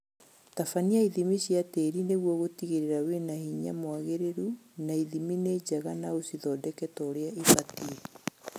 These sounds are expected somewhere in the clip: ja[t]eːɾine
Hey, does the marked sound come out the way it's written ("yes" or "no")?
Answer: yes